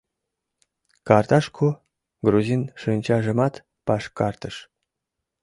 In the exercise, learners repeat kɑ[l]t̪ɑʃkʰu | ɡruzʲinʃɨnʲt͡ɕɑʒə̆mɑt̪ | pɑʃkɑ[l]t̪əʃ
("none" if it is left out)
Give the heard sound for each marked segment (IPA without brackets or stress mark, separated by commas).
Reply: r, r